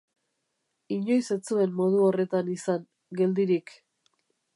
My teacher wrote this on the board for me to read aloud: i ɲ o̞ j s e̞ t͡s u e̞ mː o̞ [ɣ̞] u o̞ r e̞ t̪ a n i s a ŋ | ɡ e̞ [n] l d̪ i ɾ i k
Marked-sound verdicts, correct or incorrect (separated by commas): incorrect, incorrect